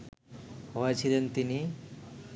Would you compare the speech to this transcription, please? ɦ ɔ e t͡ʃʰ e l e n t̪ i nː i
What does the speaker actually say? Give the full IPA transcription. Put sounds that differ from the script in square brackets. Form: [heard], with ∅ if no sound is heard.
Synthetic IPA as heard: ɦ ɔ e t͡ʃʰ [i] l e n t̪ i [n] i